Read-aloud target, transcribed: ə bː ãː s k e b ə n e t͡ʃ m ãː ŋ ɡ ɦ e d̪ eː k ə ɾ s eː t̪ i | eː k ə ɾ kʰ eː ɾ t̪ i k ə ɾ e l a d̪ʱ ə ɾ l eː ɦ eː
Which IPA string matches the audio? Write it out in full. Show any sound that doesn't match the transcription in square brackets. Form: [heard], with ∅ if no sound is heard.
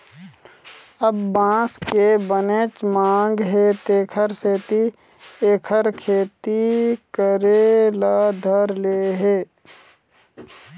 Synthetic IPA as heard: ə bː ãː s k e b ə n e t͡ʃ m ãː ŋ ɡ ɦ e [t̪] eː [kʰ] ə ɾ s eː t̪ i | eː [kʰ] ə ɾ kʰ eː [∅] t̪ i k ə ɾ e l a d̪ʱ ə ɾ l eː ɦ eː